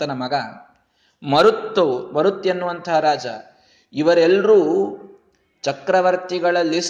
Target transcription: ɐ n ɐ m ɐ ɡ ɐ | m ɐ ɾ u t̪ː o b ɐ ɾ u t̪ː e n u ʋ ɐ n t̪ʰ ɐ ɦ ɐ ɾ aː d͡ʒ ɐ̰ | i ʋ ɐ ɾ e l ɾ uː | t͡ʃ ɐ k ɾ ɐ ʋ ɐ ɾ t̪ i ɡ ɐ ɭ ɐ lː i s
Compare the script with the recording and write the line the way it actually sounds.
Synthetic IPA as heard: ɐ n ɐ m ɐ ɡ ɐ | m ɐ ɾ u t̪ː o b ɐ ɾ u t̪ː e nː u ʋ ɐ n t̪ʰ ɐ ɦ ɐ ɾ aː d͡ʒ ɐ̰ | i ʋ ɐ ɾ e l ɾ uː | t͡ʃ ɐ k ɾ ɐ ʋ ɐ ɾ t̪ i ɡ ɐ ɭ ɐ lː i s